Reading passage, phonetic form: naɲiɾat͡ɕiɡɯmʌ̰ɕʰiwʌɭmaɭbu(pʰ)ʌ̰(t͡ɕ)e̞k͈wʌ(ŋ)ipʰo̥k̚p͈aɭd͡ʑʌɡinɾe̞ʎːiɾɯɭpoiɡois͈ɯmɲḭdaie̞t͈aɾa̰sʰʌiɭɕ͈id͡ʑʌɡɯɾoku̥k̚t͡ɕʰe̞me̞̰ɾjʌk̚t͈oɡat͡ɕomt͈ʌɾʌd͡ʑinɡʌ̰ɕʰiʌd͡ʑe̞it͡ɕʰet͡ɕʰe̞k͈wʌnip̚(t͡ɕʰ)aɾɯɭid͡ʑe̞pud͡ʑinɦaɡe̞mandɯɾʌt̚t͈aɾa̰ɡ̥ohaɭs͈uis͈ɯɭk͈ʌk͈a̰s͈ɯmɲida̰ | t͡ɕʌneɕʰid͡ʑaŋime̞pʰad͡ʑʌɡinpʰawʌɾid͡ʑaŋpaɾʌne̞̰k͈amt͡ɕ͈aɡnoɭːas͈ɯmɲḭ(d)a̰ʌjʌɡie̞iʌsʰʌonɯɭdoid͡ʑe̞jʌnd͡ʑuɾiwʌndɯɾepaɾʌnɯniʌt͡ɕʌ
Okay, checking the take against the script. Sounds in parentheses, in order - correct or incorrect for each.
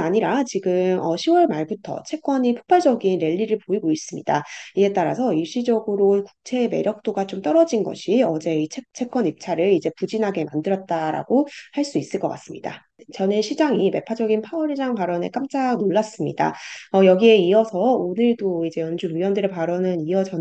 incorrect: tʰ, incorrect: t͡ɕʰ, incorrect: ɲ, correct, correct

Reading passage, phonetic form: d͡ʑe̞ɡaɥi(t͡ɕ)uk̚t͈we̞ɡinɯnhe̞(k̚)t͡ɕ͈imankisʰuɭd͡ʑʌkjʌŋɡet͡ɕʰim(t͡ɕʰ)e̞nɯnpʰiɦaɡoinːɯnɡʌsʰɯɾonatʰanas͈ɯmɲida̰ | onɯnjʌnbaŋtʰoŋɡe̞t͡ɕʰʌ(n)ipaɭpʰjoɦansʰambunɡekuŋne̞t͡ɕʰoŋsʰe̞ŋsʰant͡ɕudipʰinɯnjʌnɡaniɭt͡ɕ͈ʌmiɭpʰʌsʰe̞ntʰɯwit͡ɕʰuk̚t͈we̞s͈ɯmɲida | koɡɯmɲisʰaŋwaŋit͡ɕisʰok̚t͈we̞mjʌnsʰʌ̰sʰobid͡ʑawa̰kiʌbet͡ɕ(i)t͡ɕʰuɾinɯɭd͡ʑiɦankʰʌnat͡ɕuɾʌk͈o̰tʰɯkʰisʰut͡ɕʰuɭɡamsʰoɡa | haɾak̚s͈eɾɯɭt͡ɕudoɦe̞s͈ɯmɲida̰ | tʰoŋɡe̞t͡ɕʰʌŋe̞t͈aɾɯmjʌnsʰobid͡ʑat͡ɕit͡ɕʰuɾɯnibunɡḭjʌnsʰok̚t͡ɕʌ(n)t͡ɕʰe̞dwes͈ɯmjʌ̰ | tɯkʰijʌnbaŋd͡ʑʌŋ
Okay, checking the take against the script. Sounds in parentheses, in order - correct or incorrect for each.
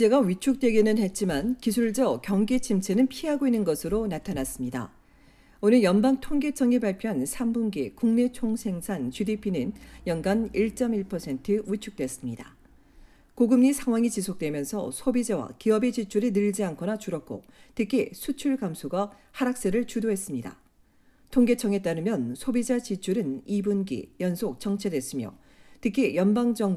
incorrect: t͡ɕʰ, incorrect: t̚, correct, incorrect: ŋ, correct, incorrect: ŋ

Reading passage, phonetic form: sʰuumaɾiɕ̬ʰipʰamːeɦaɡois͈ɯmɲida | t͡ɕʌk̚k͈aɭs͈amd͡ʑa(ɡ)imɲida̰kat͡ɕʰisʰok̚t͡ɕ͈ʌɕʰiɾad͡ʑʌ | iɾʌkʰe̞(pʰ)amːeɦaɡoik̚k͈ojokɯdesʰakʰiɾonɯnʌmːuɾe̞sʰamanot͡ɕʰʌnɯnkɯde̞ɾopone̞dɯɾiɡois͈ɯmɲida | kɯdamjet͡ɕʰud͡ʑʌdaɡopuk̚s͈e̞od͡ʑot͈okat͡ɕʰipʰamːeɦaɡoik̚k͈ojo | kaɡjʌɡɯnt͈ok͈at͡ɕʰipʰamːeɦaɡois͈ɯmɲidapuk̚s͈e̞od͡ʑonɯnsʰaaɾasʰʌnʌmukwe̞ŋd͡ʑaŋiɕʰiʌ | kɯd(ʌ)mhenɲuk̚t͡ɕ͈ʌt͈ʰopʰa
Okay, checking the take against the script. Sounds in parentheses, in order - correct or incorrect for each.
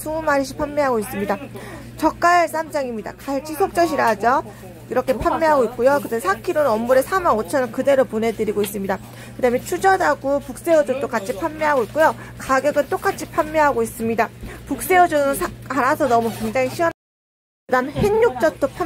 incorrect: ŋ, correct, incorrect: a

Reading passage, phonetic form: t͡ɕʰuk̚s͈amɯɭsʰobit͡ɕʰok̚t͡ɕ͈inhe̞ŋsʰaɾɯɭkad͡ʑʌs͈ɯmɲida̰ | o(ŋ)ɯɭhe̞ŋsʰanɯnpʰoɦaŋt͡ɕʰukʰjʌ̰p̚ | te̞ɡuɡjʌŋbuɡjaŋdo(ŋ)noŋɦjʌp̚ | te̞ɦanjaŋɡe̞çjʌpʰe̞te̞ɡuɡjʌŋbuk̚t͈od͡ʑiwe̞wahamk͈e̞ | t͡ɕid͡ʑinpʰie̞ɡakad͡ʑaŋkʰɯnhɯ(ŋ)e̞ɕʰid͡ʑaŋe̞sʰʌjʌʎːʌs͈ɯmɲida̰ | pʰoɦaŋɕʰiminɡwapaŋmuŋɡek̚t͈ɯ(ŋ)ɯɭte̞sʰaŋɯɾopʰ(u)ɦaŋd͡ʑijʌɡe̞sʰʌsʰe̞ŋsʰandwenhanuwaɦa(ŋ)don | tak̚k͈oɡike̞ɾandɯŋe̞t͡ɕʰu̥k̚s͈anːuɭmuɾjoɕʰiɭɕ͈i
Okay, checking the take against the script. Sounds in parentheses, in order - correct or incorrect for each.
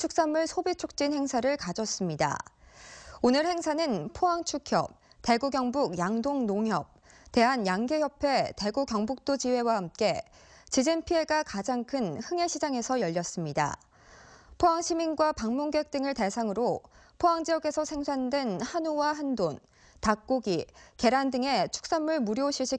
incorrect: n, correct, correct, correct, incorrect: o, incorrect: n

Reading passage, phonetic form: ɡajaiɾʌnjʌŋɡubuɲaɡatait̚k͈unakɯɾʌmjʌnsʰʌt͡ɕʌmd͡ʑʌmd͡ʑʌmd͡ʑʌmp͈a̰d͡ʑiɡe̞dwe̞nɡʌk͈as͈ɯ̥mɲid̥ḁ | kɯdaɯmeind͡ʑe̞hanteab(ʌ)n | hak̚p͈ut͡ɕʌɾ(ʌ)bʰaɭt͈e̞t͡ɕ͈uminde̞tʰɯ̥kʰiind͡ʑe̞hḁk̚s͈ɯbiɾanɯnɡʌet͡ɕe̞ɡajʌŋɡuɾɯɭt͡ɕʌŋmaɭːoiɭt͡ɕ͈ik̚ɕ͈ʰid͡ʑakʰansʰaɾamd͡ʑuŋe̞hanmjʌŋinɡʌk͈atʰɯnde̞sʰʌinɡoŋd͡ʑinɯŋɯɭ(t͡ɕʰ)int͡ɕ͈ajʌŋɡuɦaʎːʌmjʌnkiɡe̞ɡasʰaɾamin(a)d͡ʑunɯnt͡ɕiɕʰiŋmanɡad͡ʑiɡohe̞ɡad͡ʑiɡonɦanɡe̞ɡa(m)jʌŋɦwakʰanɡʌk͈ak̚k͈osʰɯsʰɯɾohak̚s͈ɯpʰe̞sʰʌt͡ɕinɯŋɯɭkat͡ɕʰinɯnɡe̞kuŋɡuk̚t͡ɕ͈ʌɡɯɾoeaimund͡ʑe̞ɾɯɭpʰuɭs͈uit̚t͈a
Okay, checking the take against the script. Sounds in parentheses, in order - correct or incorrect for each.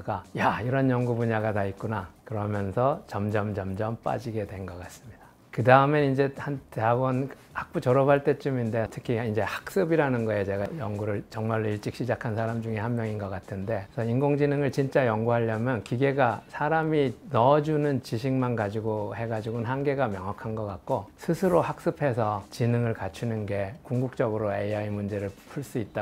correct, correct, incorrect: t͡ɕ, incorrect: ʌ, correct

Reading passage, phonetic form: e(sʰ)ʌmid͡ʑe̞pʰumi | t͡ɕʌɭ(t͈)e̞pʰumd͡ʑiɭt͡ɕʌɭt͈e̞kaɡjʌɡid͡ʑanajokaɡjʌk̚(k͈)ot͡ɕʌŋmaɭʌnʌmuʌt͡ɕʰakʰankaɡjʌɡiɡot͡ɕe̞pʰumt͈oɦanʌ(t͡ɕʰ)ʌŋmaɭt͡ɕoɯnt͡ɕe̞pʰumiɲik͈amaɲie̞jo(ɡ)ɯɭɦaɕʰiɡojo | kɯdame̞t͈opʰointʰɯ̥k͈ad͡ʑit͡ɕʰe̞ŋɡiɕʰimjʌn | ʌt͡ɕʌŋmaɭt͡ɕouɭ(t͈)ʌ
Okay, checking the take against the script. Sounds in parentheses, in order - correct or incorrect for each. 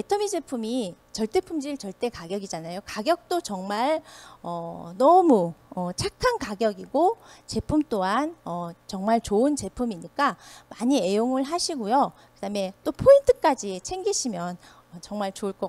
incorrect: tʰ, correct, incorrect: t͈, incorrect: t͡ɕ, incorrect: ŋ, incorrect: k͈

